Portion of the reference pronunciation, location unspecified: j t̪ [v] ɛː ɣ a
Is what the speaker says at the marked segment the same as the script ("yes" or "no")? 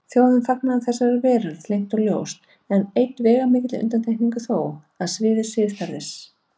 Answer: yes